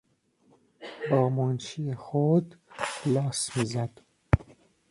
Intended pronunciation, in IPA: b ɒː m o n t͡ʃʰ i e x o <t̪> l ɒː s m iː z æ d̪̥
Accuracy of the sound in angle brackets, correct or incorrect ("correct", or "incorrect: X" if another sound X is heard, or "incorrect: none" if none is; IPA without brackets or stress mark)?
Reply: incorrect: d̪